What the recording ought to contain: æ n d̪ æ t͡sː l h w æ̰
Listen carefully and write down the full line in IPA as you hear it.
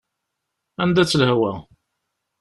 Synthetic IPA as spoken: æ n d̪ æ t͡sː l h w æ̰